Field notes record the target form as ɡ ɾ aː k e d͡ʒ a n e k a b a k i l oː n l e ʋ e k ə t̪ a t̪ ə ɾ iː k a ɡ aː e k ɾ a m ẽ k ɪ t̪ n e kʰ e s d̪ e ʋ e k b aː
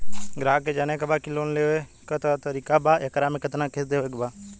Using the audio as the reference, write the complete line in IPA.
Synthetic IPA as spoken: ɡ ɾ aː k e d͡ʒ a n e k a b a k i l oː n l e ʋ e k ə t̪ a t̪ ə ɾ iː k a b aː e k ɾ a m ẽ k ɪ t̪ n a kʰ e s d̪ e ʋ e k b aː